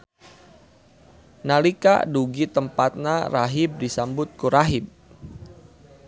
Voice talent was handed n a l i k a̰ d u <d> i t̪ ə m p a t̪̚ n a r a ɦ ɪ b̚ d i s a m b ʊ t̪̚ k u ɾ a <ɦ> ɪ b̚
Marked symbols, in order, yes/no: no, yes

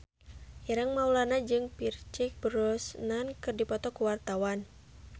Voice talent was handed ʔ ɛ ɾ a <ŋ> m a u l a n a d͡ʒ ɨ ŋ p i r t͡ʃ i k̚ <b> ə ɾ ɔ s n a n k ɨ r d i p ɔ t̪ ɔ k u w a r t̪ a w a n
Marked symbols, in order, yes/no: yes, yes

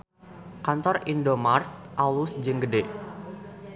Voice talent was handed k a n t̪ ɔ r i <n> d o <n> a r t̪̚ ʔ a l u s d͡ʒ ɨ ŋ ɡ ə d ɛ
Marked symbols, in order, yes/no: yes, no

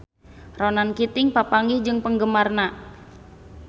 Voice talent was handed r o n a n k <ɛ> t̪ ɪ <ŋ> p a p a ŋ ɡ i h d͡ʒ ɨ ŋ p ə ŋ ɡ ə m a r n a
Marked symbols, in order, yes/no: no, yes

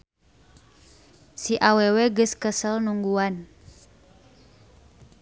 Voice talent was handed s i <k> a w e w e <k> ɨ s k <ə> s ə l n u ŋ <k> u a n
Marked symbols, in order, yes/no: no, no, yes, no

